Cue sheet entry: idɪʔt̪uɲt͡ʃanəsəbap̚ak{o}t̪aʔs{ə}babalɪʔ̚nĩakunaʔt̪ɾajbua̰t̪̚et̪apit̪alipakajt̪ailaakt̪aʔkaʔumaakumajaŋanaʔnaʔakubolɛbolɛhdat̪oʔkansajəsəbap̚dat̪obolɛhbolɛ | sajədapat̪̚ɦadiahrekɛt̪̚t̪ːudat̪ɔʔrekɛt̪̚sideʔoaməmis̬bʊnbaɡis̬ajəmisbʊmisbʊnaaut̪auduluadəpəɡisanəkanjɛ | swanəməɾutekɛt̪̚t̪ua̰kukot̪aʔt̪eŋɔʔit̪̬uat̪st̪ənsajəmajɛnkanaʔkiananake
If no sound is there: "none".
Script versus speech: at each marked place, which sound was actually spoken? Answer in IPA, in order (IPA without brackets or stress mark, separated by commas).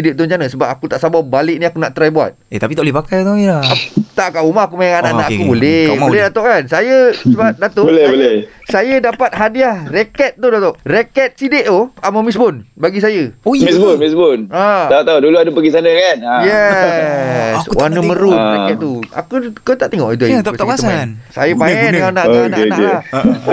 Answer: u, a